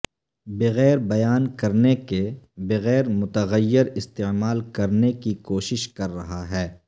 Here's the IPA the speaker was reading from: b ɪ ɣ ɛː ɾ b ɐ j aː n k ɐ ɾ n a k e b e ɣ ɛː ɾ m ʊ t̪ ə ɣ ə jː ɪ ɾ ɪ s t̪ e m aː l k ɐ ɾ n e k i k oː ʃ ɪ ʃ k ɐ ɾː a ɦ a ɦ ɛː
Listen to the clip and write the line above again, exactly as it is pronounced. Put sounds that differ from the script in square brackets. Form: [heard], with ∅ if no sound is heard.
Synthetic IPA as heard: b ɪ ɣ ɛː ɾ b ɐ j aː n k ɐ ɾ n [e] k e b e ɣ ɛː ɾ m ʊ t̪ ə ɣ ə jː ɪ ɾ ɪ s t̪ e m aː l k ɐ ɾ n e k i k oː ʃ ɪ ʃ k ɐ ɾː [ɐ] ɦ a ɦ ɛː